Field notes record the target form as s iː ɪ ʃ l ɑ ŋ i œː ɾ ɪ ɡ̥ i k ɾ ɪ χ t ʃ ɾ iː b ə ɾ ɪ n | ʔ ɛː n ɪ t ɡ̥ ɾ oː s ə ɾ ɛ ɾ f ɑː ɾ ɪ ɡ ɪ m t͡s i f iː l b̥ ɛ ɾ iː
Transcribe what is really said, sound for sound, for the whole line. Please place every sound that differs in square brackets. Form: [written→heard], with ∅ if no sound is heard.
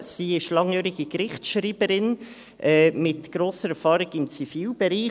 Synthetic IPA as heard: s iː ɪ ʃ l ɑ ŋ [i→j] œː ɾ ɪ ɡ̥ i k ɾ ɪ χ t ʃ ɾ iː b ə ɾ ɪ n | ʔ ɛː [n→m] ɪ t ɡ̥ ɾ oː s ə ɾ ɛ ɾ f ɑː ɾ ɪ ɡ ɪ m t͡s i f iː l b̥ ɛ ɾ iː